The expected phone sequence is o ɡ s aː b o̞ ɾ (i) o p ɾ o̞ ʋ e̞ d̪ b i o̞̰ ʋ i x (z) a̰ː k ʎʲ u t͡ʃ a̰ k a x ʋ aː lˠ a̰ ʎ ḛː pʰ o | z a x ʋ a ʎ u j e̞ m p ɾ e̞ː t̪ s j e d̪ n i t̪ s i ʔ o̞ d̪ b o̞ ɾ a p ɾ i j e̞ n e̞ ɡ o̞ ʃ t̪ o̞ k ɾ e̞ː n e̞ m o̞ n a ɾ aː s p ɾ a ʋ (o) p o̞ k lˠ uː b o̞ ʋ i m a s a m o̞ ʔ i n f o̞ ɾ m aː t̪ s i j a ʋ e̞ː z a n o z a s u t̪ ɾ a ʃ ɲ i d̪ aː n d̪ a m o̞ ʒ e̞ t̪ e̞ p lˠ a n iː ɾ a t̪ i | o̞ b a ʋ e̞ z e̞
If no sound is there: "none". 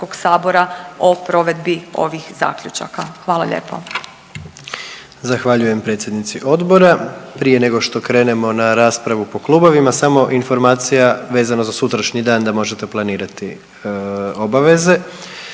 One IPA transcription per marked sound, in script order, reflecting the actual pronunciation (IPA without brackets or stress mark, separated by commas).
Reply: a, z, u